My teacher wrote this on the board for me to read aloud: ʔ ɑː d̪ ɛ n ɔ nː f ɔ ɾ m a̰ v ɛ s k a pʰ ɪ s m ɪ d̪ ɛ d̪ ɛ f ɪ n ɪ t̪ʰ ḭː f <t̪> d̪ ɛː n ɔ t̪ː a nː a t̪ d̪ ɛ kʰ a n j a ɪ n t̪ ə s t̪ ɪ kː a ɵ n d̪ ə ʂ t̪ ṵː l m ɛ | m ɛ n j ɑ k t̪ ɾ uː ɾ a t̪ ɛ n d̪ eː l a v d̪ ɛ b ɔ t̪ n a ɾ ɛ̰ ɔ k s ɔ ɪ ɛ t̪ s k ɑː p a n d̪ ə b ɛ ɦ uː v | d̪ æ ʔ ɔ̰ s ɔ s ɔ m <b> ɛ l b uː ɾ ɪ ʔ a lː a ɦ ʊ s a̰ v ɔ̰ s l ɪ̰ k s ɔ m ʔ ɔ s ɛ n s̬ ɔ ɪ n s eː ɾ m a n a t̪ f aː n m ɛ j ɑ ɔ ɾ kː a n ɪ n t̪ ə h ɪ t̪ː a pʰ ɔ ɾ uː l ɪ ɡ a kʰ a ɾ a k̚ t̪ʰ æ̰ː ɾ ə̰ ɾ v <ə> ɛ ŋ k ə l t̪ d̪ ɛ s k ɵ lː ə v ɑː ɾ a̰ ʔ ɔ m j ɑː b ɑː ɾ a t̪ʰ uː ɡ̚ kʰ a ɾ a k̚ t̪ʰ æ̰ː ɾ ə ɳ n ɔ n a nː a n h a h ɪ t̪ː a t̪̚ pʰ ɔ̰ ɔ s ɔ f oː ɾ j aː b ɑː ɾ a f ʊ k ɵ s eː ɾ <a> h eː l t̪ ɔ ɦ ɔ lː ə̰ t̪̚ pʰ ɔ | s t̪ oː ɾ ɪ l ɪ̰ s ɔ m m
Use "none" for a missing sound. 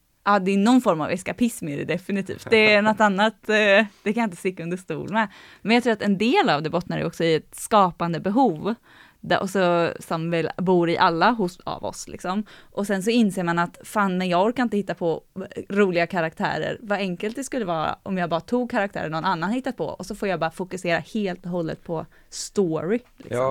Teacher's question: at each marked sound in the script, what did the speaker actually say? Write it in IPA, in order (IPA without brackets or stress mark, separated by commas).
t̪, v, a, a